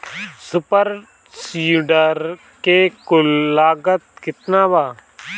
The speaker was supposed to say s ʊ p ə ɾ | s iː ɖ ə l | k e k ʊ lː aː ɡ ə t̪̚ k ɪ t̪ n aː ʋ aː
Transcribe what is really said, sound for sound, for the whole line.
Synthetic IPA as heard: s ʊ p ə ɾ | s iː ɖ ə ɾ | k e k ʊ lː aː ɡ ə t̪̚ k ɪ t̪ n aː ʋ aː